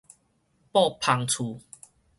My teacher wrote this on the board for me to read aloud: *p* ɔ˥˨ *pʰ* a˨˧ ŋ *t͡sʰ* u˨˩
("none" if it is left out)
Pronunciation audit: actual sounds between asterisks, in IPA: p, pʰ, t͡sʰ

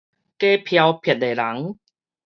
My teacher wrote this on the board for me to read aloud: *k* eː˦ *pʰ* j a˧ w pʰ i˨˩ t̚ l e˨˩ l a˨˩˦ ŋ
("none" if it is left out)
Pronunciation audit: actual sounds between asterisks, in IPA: k, pʰ

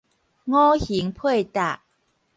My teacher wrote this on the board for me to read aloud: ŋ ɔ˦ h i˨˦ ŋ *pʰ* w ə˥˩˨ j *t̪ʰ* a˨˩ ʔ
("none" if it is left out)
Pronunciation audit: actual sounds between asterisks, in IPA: pʰ, t̪

